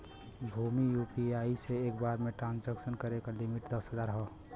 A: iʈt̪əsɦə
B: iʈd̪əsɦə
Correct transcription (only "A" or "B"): B